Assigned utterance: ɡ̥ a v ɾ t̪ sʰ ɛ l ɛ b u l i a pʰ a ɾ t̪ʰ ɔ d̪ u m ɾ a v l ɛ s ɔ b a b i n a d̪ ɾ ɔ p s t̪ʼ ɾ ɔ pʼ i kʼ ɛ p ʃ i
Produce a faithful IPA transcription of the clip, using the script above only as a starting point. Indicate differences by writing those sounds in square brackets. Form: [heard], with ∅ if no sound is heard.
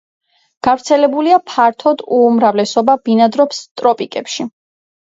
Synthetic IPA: ɡ̥ a v ɾ t̪ sʰ ɛ l ɛ b u l i a pʰ a ɾ t̪ʰ ɔ d̪ u m ɾ a v l ɛ s ɔ b a b i n a d̪ ɾ ɔ p s t̪ʼ ɾ ɔ pʼ i kʼ ɛ p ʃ i